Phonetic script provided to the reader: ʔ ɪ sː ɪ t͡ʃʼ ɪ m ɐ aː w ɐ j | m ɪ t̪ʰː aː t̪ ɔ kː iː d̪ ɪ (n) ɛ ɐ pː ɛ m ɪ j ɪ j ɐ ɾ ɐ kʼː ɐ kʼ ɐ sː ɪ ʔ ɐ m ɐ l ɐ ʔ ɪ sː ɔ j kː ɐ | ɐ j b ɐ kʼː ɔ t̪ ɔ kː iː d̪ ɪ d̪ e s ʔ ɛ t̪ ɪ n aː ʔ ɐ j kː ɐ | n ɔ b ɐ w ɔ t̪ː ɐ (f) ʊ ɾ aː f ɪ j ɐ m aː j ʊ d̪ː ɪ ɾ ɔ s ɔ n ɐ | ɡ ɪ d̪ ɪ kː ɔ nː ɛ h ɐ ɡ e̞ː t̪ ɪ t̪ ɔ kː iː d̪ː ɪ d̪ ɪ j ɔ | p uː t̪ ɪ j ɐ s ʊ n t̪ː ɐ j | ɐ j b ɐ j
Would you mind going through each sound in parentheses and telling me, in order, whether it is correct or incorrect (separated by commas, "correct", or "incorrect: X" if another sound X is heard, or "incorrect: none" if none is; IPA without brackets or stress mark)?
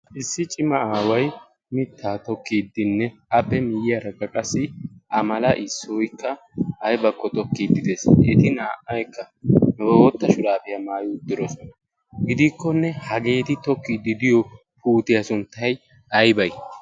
incorrect: nː, incorrect: ʃ